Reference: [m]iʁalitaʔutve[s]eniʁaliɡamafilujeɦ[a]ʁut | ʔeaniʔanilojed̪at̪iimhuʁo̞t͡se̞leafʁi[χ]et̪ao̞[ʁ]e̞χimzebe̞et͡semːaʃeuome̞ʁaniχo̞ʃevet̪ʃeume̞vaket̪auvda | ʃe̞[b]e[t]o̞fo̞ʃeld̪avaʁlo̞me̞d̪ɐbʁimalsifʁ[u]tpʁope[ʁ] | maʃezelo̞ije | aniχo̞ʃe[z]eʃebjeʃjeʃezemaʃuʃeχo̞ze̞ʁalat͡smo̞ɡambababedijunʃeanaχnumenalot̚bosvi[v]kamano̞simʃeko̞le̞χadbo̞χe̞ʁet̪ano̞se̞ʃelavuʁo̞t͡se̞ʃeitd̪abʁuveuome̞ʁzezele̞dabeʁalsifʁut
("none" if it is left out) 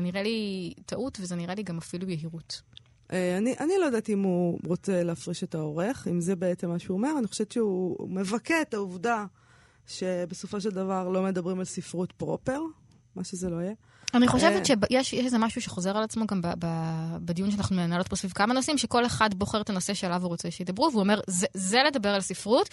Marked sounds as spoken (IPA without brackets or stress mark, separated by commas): n, z, i, ʃ, ʁ, b, s, u, ʁ, v, v